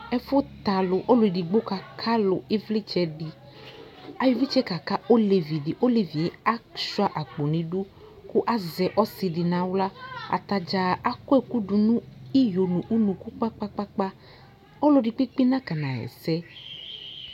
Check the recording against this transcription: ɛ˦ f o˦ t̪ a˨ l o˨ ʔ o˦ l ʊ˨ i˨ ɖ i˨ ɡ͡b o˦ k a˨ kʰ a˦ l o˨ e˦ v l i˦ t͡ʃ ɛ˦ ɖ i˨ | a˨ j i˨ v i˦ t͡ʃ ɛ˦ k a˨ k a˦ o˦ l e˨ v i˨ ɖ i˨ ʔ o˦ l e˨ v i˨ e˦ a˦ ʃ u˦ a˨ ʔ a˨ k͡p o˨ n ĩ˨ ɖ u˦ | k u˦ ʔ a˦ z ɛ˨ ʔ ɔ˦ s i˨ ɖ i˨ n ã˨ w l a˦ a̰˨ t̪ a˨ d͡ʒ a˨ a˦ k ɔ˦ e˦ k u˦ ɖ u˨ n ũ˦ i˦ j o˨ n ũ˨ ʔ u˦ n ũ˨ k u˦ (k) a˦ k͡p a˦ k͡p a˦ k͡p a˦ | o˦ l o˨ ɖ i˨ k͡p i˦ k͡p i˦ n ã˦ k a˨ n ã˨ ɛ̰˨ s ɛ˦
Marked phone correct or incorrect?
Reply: incorrect